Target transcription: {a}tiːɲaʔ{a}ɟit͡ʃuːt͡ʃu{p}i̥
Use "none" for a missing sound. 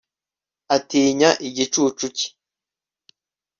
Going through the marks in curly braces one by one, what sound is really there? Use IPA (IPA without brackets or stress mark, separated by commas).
a, i, c